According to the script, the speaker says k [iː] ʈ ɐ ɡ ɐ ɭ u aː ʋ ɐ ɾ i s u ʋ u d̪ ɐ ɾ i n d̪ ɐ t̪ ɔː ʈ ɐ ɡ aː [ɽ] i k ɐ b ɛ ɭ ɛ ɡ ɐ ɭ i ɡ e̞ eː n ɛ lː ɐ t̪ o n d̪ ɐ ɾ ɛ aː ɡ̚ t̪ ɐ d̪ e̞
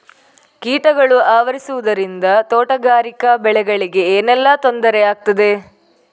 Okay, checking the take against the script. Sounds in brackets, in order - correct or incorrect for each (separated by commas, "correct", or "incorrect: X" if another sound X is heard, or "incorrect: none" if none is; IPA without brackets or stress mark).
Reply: correct, incorrect: ɾ